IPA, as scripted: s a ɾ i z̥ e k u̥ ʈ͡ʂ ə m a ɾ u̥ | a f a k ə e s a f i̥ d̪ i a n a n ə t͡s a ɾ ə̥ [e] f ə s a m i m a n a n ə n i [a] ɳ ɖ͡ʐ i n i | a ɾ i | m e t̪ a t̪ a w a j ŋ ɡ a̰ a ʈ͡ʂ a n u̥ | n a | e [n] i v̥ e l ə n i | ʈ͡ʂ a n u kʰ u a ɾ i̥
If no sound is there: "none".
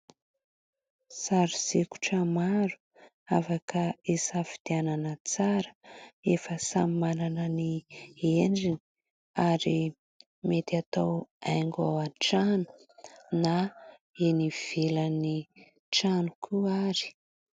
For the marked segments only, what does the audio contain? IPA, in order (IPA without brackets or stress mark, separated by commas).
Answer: e, e, n